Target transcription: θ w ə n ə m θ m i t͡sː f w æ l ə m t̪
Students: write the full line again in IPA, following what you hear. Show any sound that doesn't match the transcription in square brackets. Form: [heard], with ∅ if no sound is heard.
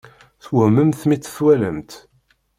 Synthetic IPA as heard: θ w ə [m] ə m θ m i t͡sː [θ] w æ l ə m t̪